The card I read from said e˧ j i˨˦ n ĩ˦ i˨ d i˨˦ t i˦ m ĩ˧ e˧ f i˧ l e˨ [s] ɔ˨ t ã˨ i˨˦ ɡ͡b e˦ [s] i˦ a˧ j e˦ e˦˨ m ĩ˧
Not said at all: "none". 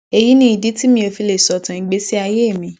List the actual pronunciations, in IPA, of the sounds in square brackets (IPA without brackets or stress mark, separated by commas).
s, s